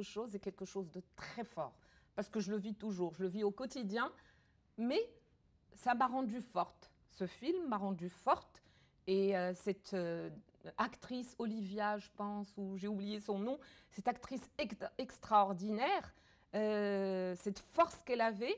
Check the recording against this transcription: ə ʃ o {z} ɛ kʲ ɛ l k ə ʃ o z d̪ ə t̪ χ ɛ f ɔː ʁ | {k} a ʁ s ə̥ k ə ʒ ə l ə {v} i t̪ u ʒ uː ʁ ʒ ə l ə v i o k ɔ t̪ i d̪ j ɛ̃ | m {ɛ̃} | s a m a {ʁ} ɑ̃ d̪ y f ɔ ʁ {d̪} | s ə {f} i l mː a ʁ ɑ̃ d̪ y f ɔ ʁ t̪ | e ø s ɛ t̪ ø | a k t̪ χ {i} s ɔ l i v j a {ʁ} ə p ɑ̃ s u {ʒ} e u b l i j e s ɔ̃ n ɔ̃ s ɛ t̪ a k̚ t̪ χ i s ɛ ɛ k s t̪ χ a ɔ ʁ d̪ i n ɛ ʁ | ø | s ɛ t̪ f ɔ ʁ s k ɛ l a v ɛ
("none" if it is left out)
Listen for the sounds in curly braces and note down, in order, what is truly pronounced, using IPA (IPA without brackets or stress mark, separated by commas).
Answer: z, p, v, ɛ, ʁ, t̪, f, i, ʒ, ʒ